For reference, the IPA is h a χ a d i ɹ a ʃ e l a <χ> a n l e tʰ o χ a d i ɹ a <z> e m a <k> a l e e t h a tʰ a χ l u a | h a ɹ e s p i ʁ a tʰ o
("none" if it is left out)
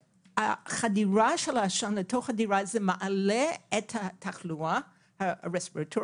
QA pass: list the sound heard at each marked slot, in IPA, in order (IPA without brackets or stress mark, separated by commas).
ʃ, z, ʔ